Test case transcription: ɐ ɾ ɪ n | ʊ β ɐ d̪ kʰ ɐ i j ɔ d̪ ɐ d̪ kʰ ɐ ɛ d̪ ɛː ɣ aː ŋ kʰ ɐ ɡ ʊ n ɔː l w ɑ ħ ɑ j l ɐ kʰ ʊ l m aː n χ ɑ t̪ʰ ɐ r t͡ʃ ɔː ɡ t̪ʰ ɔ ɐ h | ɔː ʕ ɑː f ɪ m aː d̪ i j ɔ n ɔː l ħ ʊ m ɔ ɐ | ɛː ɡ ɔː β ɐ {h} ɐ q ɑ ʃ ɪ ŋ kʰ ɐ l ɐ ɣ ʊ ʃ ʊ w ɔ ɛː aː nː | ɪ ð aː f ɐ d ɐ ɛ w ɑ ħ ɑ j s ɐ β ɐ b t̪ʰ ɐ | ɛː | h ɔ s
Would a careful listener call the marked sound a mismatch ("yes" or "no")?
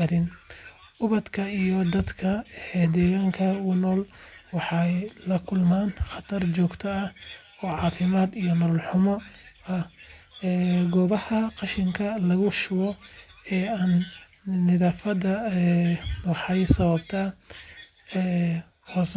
no